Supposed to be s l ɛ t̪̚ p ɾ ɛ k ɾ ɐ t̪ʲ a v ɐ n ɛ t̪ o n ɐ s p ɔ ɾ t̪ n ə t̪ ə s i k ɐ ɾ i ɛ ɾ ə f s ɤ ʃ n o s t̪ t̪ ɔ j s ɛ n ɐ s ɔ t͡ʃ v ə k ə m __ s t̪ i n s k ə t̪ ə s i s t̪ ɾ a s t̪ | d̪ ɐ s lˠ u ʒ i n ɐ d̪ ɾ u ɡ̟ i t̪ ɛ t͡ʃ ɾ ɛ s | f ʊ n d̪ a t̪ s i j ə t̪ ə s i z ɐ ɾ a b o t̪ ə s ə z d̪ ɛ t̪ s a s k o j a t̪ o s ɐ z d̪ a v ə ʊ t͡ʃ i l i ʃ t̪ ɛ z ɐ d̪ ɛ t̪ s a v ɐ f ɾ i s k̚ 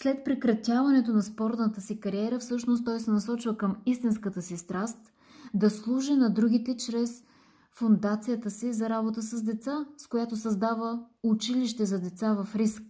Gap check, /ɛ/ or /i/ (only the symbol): i